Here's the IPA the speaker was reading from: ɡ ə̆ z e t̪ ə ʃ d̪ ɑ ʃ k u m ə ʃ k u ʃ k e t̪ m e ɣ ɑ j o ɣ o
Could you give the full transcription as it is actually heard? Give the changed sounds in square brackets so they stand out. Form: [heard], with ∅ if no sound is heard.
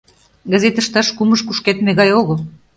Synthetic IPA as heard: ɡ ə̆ z e t̪ ə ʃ [t̪] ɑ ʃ k u m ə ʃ k u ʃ k e t̪ m e ɣ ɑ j o ɣ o

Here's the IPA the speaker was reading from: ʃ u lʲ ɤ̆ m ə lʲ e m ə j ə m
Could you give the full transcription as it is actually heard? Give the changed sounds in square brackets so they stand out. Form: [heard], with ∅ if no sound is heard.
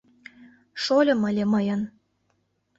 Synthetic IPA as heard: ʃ [o] lʲ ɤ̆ m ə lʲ e m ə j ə [n]

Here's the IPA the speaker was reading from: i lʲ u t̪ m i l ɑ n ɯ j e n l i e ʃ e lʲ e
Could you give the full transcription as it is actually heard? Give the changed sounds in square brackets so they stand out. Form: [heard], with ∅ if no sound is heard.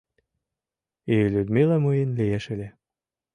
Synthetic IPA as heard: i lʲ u [d̪] m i l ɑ [m] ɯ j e n l i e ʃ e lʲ e

